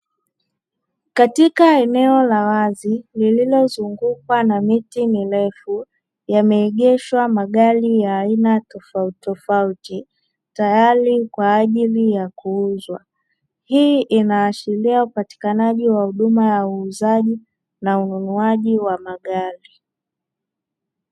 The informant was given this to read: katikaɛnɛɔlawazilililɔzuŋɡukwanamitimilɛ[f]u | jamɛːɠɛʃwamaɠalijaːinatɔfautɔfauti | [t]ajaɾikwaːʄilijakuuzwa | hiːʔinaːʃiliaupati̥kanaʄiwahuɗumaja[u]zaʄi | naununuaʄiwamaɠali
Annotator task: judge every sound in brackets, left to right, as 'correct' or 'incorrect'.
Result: correct, correct, incorrect: uː

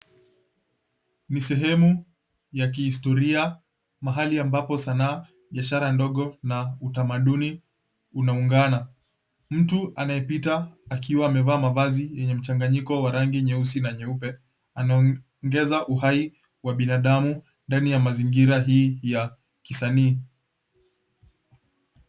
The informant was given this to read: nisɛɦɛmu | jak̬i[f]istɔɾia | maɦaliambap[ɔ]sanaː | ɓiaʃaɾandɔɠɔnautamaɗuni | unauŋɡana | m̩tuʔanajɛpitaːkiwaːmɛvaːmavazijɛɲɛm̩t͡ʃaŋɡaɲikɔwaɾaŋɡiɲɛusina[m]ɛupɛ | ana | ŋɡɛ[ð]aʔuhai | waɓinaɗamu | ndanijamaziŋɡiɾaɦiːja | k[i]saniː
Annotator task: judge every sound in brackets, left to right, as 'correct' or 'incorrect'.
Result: incorrect: h, correct, incorrect: ɲ, incorrect: z, correct

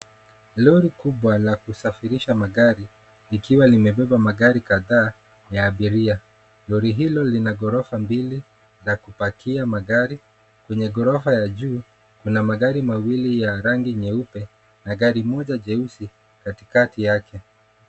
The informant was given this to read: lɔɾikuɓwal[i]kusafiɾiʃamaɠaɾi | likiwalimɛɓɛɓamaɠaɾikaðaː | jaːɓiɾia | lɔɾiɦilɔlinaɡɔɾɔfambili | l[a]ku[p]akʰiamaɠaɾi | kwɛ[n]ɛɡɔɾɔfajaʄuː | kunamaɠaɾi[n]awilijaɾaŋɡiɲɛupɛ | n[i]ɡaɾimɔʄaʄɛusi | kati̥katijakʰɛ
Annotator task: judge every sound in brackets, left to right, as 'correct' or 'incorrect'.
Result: incorrect: a, correct, correct, incorrect: ɲ, incorrect: m, incorrect: a

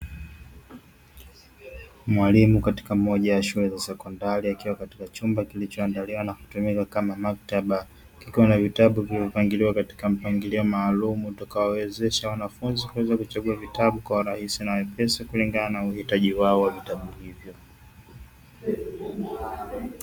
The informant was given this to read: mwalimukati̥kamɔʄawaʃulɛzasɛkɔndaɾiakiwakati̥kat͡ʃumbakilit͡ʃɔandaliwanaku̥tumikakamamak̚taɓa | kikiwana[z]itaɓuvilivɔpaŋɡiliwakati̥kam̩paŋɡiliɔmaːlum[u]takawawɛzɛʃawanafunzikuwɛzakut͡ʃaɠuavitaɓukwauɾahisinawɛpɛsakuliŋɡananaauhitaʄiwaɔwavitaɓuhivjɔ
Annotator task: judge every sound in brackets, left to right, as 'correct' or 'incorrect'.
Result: incorrect: v, correct

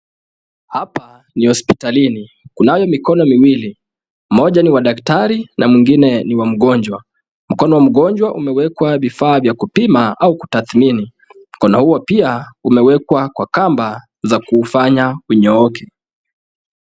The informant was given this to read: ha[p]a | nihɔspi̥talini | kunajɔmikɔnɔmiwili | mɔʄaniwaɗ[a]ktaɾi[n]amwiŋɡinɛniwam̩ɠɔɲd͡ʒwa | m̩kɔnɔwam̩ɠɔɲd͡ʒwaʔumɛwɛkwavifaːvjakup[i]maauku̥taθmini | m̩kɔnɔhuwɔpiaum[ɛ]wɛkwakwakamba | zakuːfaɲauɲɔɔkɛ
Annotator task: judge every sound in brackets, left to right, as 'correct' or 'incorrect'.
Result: correct, correct, correct, correct, correct

